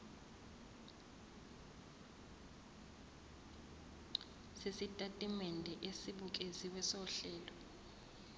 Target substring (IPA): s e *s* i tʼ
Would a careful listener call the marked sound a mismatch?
no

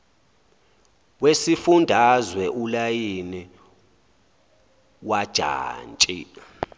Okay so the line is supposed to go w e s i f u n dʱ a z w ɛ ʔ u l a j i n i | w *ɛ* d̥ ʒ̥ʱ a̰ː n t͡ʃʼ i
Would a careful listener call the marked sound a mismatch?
yes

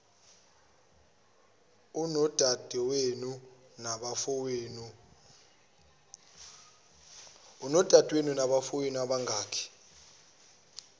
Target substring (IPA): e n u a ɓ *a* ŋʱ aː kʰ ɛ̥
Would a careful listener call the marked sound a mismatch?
no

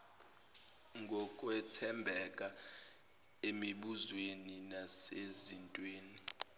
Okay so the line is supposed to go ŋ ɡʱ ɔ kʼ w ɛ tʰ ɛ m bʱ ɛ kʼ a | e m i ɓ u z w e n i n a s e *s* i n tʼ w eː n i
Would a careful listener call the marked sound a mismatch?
yes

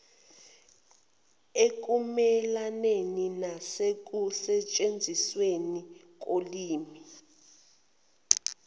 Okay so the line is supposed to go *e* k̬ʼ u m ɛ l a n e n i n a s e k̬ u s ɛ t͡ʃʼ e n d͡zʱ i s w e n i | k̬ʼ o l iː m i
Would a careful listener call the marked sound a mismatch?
no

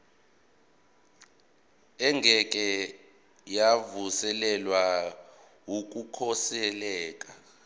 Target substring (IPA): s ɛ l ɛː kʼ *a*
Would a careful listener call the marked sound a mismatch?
no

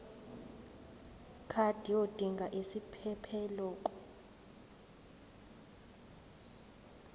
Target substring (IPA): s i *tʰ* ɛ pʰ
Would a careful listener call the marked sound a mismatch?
yes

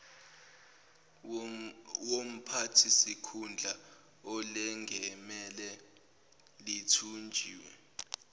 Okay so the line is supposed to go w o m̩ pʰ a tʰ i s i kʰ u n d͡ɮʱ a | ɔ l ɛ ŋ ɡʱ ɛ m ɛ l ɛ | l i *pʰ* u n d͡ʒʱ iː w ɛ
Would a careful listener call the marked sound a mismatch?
yes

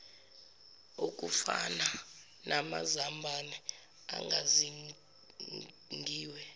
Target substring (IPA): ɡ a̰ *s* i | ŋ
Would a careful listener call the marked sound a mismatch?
yes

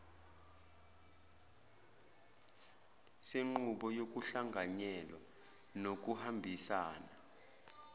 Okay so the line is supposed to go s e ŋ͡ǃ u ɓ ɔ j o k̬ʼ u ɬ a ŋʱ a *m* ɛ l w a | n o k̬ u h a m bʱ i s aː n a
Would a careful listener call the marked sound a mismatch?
yes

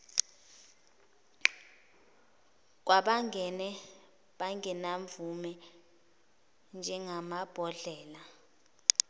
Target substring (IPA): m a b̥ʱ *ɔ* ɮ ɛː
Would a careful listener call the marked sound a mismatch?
no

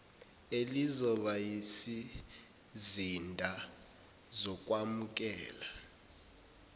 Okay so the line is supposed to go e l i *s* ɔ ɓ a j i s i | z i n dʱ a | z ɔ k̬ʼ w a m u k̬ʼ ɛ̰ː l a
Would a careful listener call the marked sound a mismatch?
yes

